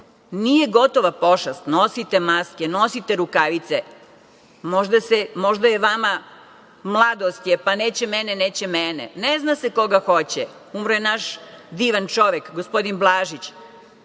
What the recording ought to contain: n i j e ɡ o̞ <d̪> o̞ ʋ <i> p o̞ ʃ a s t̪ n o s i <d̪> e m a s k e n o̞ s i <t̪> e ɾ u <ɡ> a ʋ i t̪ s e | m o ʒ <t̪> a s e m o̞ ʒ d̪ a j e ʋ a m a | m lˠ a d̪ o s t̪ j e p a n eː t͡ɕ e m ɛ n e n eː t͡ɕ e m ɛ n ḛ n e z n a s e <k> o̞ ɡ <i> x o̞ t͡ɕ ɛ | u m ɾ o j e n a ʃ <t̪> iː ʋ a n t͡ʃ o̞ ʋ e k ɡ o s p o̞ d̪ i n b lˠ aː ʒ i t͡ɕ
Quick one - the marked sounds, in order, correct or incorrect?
incorrect: t̪, incorrect: a, incorrect: t̪, correct, incorrect: k, incorrect: d̪, correct, incorrect: a, incorrect: d̪

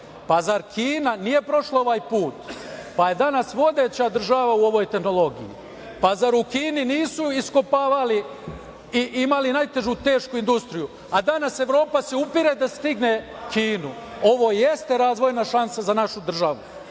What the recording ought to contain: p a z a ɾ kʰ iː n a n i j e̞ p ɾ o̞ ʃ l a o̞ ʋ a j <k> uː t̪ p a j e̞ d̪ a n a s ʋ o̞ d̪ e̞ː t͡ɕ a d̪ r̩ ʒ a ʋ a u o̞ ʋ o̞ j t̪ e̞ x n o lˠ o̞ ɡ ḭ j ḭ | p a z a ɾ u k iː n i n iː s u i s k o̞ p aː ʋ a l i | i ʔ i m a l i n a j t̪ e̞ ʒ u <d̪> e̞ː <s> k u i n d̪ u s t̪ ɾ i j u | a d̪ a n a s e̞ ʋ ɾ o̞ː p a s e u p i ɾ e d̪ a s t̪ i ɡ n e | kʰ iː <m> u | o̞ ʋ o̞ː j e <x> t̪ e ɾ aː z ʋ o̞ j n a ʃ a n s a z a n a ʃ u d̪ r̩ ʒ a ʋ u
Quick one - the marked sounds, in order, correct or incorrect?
incorrect: p, incorrect: t̪, incorrect: ʃ, incorrect: n, incorrect: s

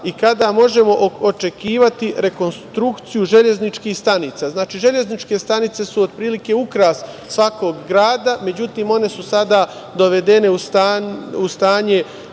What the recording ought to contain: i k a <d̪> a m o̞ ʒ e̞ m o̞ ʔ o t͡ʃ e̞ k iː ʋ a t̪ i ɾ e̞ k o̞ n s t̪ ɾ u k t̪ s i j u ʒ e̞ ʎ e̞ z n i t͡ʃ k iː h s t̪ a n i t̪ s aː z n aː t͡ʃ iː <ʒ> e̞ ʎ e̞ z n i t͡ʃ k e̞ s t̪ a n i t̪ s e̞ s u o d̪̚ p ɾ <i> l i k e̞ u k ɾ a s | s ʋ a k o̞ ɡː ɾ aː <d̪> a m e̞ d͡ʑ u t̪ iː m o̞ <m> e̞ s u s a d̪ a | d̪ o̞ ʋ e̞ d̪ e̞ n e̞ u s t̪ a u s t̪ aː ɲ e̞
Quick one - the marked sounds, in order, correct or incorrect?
correct, correct, incorrect: iː, correct, incorrect: n

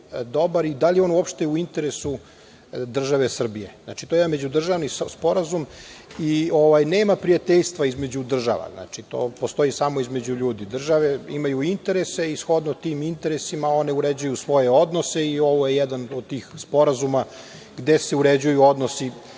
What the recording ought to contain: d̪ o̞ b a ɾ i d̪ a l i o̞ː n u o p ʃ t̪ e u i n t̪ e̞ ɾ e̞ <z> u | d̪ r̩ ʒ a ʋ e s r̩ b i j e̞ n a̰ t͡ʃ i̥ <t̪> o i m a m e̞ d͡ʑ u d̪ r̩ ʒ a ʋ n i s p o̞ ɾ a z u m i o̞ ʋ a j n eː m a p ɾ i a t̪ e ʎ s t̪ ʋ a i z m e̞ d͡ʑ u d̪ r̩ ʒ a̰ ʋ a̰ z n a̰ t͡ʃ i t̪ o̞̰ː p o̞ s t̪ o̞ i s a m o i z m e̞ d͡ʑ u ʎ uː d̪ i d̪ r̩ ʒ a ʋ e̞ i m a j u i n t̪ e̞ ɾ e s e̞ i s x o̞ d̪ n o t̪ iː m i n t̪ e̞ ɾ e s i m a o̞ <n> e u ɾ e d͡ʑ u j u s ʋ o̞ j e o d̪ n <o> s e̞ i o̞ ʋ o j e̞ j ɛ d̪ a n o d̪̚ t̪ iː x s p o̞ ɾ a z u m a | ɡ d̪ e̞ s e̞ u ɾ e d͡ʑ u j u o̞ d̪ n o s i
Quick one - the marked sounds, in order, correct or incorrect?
incorrect: s, correct, correct, correct

